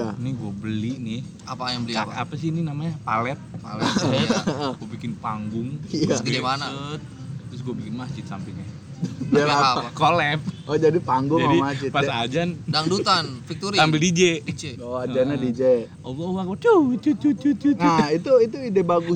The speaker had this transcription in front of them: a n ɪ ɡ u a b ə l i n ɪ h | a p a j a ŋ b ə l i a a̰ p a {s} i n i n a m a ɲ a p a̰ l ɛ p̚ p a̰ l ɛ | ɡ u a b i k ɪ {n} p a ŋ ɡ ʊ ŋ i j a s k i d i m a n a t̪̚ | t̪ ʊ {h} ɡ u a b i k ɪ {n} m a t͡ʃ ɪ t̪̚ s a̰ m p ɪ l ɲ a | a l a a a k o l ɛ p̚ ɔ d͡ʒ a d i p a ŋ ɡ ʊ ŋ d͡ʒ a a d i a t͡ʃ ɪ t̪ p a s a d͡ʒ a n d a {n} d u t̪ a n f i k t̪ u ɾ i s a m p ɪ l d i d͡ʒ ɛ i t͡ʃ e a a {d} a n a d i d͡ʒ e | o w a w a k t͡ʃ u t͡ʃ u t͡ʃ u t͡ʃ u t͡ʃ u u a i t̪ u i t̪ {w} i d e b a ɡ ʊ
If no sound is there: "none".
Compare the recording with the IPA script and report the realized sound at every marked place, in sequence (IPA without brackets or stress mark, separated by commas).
s, n, s, n, ŋ, d͡ʒ, u